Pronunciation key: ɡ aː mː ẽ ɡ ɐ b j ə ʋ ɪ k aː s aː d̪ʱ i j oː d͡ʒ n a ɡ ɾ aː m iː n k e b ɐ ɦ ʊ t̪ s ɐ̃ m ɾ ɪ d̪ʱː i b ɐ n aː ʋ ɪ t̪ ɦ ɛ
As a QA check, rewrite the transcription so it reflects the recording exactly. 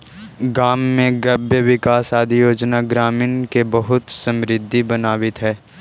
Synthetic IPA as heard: ɡ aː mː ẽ ɡ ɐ b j ə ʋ ɪ k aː s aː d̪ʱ i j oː d͡ʒ n a ɡ ɾ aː m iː n k e b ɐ ɦ ʊ t̪ s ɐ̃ m ɾ ɪ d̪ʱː i b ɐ n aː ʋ ɪ t̪ ɦ ɛː